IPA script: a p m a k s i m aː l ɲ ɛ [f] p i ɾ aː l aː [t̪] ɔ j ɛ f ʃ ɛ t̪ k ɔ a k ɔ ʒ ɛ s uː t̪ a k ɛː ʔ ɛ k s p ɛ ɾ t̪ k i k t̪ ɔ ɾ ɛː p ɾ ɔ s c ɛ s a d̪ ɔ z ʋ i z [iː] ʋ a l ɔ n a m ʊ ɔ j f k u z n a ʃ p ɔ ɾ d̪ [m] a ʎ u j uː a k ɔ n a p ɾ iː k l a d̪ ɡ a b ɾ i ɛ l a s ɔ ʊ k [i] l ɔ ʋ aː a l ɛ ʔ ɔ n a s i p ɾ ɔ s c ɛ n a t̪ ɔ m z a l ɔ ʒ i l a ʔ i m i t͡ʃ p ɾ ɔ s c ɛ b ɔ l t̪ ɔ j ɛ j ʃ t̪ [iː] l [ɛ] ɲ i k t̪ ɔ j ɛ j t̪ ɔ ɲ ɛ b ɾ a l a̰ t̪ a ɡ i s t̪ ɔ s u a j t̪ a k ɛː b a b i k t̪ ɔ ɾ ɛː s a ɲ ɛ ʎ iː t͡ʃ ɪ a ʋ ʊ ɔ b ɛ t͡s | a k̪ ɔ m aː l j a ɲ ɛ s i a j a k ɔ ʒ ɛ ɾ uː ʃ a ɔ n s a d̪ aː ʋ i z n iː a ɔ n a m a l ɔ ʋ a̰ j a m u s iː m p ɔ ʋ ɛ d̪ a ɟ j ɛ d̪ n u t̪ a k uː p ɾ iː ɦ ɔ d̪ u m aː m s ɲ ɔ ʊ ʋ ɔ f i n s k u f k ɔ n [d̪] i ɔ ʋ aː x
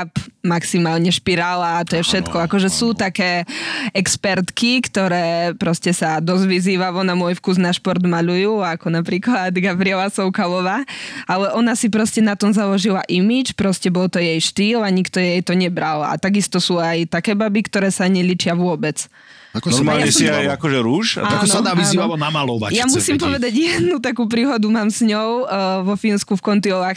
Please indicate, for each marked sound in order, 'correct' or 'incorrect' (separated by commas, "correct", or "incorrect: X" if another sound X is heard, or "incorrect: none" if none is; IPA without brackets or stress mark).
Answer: incorrect: ʃ, correct, correct, correct, incorrect: a, correct, incorrect: a, incorrect: t̪